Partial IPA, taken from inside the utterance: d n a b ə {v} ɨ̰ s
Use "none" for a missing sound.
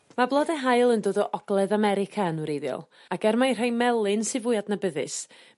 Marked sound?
ð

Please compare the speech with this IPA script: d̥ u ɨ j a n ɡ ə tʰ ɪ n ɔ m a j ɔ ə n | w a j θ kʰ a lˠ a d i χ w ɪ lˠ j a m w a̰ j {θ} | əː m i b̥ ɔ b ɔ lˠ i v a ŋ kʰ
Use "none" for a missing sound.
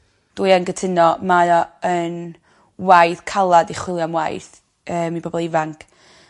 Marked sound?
θ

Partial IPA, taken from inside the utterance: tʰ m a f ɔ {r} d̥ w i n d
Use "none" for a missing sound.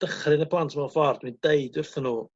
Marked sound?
r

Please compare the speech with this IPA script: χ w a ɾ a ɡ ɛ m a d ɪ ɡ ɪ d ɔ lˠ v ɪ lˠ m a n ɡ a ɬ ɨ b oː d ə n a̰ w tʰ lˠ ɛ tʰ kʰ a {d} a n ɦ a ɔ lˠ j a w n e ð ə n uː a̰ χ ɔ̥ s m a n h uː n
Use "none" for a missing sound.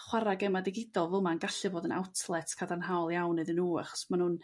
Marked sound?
d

